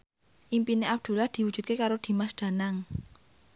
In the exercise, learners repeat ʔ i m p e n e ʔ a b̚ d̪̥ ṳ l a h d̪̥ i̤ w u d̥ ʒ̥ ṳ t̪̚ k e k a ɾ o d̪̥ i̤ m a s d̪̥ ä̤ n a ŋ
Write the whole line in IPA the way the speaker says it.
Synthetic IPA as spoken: ʔ i m p i n e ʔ a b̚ d̪̥ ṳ l a h d̪̥ i̤ w u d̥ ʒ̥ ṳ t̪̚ k e k a ɾ o d̪̥ i̤ m a s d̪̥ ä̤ n a ŋ